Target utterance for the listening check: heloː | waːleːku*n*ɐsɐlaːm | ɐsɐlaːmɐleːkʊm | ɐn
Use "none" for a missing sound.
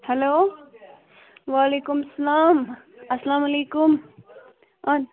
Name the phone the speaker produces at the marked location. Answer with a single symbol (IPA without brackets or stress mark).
m